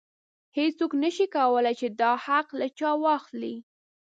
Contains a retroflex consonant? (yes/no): no